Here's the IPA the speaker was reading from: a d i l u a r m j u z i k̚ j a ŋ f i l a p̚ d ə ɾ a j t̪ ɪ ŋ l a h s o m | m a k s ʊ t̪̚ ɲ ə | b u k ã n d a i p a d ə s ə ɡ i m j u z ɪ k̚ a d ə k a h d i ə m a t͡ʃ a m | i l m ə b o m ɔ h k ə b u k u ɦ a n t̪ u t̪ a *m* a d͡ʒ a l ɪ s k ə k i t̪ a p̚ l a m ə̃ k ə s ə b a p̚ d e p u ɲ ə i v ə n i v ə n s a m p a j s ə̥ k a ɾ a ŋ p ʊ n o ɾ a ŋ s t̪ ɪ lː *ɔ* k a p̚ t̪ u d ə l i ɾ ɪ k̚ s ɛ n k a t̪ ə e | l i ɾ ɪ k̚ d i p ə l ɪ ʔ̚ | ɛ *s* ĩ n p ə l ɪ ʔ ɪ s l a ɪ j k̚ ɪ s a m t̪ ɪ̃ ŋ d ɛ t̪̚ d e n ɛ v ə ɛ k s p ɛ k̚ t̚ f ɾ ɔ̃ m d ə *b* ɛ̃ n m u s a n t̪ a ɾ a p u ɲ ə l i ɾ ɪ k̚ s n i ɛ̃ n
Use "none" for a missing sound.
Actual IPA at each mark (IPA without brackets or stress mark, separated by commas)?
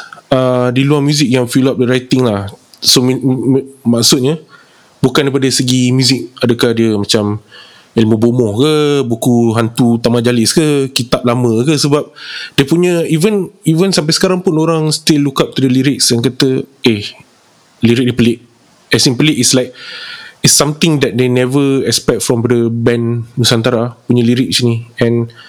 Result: m, u, s, b